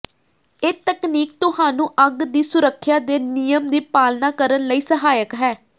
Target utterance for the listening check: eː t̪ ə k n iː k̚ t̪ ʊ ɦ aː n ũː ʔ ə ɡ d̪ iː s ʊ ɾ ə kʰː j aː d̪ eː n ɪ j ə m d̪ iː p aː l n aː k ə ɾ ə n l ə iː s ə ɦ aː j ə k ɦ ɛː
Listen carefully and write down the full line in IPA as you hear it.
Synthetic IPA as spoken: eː t̪ ə k n iː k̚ t̪ ʊ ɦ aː n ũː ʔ ə ɡ d̪ iː s ʊ ɾ ə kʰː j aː d̪ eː n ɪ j ə m d̪ iː p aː l n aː k ə ɾ ə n l ə iː s ə ɦ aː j ə k ɦ ɛː